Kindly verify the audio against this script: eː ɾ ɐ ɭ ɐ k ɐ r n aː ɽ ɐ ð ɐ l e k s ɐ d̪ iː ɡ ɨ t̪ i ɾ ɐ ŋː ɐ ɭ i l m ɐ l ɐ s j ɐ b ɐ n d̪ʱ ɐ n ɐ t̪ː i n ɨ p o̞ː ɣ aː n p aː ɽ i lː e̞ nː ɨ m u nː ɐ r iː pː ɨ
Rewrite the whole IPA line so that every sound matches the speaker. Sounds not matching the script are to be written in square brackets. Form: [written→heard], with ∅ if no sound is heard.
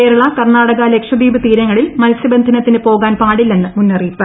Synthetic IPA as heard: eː ɾ ɐ ɭ ɐ k ɐ r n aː ɽ ɐ [ð→ɣ] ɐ l e k [s→ʂ] ɐ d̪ iː [ɡ→b] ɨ t̪ [i→iː] ɾ ɐ ŋː ɐ ɭ i l m ɐ l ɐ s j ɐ b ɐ n d̪ʱ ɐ n ɐ t̪ː i n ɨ p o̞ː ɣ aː n p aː ɽ i lː e̞ nː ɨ m u nː ɐ r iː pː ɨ